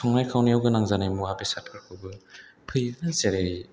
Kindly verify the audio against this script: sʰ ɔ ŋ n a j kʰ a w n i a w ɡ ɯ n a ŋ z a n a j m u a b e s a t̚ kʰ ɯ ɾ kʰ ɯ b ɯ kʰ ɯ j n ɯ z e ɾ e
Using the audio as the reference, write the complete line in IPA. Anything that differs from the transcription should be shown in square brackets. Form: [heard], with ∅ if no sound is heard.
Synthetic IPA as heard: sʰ ɔ ŋ n a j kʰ a w n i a w ɡ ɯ n a ŋ z a n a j m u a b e s a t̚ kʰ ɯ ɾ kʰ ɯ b ɯ [pʰ] ɯ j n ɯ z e ɾ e